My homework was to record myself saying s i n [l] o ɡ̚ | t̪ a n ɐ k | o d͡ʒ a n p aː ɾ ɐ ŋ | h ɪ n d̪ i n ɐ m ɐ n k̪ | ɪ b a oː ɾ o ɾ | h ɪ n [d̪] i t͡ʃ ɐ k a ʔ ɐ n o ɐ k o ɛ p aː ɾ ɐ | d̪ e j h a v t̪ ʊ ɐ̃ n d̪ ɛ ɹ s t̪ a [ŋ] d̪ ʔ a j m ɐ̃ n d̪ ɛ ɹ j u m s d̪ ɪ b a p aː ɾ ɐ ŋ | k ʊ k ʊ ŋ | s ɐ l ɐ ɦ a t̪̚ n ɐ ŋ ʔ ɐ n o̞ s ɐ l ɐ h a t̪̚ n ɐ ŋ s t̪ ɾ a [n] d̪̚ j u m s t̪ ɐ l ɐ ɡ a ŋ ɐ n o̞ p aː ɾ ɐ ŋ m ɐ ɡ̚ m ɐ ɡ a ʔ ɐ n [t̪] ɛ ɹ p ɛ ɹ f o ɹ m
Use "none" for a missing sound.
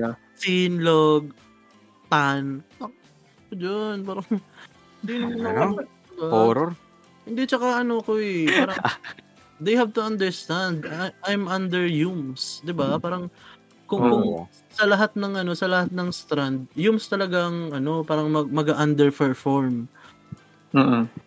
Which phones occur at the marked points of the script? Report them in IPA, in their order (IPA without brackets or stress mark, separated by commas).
l, d̪, n, n, d̪